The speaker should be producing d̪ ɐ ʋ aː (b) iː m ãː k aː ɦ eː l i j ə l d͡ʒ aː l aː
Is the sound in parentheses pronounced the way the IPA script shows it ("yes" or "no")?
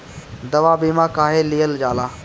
yes